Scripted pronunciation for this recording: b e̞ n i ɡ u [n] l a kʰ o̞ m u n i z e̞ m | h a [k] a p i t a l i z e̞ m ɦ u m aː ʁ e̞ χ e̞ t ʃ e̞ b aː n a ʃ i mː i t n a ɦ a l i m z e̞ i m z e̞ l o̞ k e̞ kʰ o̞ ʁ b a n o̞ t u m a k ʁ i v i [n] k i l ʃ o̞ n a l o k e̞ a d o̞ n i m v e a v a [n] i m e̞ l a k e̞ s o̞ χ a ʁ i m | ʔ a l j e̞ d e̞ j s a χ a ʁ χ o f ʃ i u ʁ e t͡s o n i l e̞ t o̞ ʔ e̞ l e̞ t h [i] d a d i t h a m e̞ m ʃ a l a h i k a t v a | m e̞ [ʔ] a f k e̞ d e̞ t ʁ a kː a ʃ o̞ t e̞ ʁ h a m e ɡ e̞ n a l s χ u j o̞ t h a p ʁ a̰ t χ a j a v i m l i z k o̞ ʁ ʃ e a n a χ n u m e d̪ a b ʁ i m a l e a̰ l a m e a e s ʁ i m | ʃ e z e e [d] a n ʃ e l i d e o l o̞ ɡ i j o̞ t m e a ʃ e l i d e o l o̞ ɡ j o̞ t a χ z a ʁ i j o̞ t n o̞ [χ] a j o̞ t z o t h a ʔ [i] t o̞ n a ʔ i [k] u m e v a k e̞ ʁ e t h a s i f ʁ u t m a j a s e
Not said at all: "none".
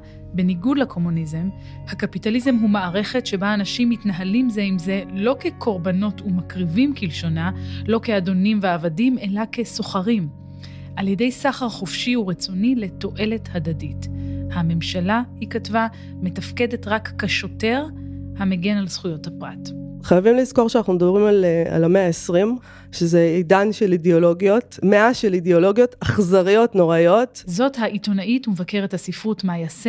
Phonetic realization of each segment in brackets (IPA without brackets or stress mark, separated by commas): d, k, m, d, a, t, d, ʁ, i, t